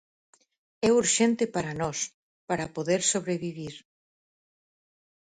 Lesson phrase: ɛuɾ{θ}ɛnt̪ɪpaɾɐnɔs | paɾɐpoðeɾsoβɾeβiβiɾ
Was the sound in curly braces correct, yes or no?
no